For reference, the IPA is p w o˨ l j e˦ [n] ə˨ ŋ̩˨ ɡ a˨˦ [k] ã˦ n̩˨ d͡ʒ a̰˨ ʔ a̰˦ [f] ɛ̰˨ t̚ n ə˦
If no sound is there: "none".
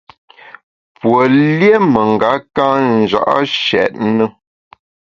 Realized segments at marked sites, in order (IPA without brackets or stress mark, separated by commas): m, k, ʃ